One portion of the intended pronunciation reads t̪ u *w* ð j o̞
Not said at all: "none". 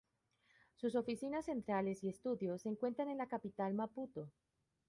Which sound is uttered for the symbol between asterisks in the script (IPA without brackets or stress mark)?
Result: none